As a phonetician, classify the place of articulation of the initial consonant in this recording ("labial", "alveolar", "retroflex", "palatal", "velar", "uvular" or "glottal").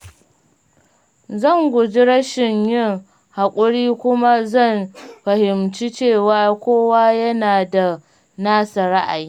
alveolar